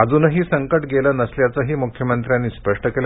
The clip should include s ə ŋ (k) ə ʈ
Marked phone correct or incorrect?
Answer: correct